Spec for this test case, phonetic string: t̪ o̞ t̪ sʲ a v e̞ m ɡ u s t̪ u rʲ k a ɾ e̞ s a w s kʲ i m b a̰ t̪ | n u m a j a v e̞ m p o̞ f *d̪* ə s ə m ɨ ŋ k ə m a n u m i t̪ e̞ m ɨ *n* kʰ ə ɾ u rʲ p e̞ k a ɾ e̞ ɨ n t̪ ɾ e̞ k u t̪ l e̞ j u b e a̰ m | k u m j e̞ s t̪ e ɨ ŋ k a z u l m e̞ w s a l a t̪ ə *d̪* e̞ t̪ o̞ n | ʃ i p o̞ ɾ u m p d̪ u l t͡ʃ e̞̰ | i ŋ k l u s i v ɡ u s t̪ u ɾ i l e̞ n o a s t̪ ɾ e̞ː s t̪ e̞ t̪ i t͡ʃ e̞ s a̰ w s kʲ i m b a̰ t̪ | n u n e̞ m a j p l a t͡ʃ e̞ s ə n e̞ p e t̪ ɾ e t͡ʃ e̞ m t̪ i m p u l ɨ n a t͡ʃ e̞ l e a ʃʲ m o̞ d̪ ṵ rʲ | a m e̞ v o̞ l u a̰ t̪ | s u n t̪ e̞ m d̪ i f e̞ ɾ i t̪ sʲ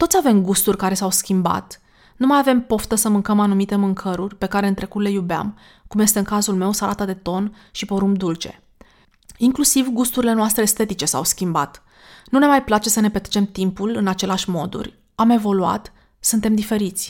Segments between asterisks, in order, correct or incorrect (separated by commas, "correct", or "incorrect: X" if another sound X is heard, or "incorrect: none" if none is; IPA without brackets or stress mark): incorrect: t̪, incorrect: ŋ, correct